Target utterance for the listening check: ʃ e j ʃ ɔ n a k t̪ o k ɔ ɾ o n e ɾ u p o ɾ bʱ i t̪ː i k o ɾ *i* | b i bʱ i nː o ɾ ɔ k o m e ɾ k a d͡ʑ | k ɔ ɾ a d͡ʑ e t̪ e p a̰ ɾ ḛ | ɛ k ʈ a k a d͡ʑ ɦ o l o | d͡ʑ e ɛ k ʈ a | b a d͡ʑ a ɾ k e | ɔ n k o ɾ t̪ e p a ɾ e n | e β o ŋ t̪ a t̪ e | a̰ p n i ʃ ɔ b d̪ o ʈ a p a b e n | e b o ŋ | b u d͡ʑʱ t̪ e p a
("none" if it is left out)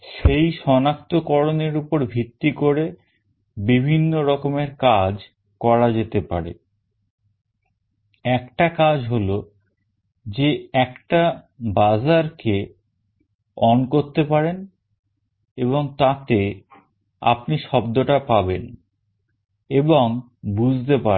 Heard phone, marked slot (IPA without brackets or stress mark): e